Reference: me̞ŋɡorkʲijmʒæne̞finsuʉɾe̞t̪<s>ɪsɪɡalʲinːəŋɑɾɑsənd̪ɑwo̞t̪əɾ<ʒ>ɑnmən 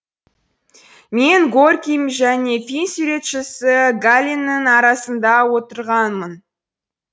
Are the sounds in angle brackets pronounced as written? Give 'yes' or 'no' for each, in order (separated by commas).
no, no